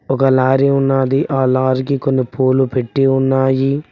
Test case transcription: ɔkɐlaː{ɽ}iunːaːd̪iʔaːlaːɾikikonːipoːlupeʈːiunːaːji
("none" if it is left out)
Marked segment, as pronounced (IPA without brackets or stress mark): ɾ